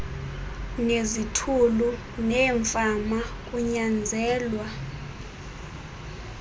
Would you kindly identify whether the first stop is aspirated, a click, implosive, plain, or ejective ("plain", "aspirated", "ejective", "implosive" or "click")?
aspirated